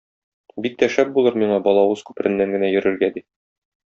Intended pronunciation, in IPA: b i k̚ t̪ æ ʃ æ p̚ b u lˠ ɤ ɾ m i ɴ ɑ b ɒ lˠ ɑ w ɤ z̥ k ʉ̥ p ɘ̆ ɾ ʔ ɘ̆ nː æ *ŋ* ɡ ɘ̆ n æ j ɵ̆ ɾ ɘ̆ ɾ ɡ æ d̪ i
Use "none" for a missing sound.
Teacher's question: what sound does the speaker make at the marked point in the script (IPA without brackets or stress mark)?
ŋ